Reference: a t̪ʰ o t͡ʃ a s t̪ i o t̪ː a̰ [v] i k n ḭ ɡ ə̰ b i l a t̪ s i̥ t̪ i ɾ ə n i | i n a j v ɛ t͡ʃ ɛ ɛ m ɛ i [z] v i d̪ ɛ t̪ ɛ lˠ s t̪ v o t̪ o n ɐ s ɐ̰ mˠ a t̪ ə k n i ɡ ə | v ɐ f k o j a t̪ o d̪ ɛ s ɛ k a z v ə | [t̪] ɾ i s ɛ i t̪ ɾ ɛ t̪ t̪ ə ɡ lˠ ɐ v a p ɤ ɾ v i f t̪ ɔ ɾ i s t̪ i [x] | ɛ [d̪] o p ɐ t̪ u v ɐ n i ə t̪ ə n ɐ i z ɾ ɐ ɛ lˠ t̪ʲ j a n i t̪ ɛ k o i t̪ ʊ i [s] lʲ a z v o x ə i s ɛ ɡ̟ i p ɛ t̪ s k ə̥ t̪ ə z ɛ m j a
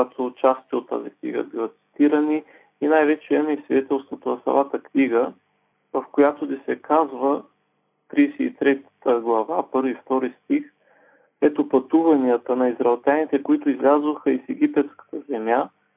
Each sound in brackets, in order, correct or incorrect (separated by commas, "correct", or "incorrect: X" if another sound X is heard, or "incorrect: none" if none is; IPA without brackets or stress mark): incorrect: z, incorrect: s, correct, correct, incorrect: t̪, incorrect: z